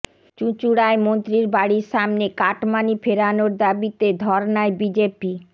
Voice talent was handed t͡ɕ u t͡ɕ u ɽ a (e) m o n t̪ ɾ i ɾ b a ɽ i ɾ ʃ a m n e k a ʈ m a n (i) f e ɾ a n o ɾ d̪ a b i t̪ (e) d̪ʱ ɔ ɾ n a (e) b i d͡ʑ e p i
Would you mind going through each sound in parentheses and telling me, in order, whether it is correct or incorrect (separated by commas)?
correct, correct, correct, correct